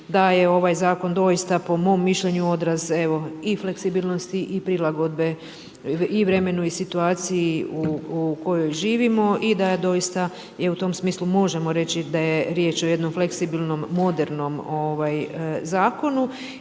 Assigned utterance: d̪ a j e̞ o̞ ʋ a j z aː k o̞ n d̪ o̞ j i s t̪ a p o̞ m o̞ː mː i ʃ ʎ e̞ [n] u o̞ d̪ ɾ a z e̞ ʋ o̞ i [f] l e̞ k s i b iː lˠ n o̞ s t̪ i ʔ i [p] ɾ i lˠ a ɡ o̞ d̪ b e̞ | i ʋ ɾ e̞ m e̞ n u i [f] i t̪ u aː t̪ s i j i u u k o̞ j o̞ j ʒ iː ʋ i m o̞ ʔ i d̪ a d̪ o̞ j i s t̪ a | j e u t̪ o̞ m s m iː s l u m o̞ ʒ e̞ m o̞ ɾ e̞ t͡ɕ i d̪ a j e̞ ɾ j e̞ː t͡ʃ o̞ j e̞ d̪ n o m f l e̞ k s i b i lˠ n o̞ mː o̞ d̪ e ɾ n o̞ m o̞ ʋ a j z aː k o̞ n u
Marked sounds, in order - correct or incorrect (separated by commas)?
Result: incorrect, correct, correct, incorrect